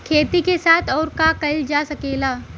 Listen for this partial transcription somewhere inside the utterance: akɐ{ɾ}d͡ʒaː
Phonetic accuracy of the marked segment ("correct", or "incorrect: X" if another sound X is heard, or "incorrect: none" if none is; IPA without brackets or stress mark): incorrect: l